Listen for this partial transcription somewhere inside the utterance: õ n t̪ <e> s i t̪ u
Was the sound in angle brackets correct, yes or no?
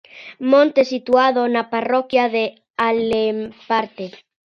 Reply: yes